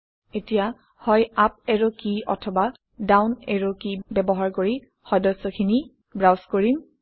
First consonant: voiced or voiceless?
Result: voiceless